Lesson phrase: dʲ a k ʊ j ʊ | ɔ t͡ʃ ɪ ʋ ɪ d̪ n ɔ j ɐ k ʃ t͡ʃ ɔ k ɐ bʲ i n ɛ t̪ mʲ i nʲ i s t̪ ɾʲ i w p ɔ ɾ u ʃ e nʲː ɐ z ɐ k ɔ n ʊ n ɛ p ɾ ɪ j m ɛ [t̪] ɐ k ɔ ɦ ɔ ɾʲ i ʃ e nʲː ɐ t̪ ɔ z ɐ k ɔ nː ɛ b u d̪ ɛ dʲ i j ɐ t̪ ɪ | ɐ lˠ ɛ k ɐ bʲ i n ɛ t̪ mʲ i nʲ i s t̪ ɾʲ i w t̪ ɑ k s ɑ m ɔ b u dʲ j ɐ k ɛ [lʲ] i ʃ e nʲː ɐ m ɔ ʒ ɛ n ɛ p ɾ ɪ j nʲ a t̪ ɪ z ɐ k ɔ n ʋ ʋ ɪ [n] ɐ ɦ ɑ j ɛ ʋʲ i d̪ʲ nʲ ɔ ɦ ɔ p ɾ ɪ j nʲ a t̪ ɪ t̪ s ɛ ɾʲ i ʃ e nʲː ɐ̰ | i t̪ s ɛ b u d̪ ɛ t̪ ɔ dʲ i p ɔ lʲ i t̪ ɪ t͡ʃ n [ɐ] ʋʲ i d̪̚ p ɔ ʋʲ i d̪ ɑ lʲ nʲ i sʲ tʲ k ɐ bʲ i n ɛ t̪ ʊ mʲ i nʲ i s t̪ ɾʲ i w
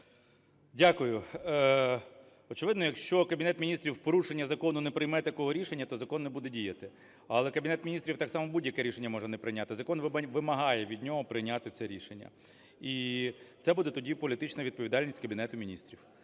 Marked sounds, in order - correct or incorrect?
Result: correct, incorrect: ɾʲ, incorrect: m, correct

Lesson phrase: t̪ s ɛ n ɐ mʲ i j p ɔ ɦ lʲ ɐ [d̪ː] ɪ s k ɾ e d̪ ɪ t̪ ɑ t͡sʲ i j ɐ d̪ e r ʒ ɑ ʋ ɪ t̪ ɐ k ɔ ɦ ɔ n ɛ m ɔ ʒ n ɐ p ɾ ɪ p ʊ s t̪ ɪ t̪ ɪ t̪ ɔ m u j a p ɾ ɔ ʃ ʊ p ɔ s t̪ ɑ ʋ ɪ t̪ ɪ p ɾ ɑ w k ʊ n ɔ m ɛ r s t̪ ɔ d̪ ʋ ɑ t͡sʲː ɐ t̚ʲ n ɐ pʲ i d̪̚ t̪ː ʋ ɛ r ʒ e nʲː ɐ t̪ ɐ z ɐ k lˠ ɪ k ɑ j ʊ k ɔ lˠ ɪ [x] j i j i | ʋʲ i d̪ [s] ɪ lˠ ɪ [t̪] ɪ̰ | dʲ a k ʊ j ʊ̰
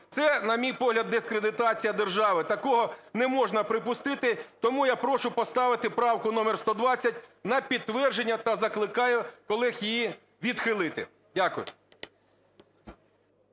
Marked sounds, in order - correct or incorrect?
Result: correct, correct, incorrect: x, correct

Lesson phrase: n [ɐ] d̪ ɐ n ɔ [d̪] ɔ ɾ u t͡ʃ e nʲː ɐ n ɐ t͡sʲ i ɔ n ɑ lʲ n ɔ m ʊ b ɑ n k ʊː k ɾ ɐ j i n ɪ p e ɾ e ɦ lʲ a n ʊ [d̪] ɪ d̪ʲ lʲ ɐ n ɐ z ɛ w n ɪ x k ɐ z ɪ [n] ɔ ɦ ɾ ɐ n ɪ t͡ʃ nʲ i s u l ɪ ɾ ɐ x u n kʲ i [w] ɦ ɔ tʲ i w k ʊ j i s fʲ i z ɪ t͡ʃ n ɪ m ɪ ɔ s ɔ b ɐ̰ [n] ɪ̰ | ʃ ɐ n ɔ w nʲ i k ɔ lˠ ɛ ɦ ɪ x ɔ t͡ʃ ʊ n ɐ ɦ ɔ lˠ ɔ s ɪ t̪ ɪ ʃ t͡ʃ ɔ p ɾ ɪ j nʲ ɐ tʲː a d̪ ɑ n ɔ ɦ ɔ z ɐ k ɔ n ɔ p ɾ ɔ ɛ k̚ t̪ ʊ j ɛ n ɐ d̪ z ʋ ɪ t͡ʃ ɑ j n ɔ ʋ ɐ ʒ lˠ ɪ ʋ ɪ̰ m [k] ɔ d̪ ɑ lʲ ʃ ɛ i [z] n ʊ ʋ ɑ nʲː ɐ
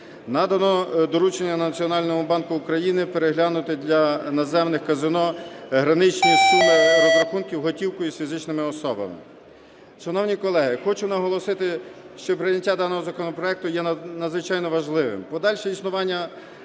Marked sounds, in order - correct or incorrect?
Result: incorrect: ɑ, correct, incorrect: t̪, correct, correct, incorrect: m, incorrect: p, incorrect: s

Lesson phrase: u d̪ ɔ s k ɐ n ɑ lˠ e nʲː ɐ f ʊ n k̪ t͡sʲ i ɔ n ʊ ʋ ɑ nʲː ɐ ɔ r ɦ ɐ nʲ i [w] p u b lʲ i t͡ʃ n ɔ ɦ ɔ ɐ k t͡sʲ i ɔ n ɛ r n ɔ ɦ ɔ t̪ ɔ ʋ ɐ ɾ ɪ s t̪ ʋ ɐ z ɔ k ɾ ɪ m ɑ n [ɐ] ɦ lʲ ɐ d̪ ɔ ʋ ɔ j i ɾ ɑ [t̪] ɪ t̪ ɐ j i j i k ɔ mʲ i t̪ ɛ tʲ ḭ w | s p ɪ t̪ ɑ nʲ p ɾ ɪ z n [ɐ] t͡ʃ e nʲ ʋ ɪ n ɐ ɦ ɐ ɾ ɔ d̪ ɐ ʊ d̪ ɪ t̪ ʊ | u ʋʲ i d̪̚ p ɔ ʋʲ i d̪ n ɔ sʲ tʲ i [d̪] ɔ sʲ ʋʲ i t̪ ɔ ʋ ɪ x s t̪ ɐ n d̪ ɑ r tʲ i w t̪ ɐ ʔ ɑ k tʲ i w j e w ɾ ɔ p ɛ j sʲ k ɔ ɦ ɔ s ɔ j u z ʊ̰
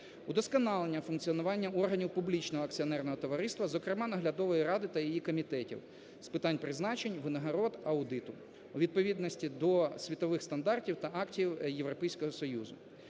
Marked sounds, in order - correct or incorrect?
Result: correct, correct, incorrect: d̪, incorrect: ɑ, correct

